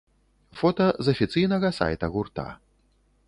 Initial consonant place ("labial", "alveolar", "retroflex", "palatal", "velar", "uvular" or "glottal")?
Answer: labial